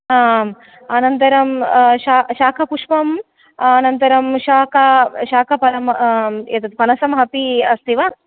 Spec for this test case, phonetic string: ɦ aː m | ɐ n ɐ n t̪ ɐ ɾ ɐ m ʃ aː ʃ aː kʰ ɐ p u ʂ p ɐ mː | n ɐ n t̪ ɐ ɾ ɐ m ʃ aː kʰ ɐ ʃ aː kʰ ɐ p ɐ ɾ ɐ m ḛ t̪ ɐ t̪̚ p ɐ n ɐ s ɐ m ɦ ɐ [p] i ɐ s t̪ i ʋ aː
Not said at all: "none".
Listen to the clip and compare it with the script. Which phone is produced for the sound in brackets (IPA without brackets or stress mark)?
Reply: p